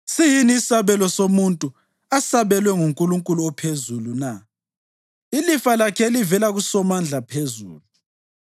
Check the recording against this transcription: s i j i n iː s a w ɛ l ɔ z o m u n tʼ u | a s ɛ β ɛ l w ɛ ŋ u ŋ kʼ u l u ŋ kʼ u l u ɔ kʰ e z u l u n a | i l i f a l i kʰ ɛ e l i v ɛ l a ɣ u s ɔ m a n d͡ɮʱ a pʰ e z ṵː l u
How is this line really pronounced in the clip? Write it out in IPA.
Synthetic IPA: s i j i n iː s a β ɛ l ɔ s o m u n tʼ u | a s a β ɛ l w ɛ ŋ u ŋ kʼ u l u ŋ kʼ u l u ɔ pʰ e z u l u n a | i l i f a l a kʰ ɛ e l i v ɛ l a ɣ u s ɔ m a n d͡ɮʱ a pʰ e z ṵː l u